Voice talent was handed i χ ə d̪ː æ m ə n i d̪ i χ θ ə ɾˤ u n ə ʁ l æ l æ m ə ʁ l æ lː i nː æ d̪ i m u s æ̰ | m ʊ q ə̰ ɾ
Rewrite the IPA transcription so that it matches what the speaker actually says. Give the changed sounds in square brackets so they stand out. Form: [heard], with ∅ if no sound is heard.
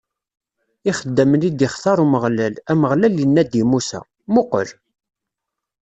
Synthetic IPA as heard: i χ ə d̪ː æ m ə n i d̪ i χ θ [ɑ] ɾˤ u [m] ə ʁ l æ l æ m ə ʁ l æ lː i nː æ d̪ i m u s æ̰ | m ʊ q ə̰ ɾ